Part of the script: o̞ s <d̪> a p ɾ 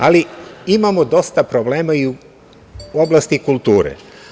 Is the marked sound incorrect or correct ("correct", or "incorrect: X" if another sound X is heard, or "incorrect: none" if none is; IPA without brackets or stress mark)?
incorrect: t̪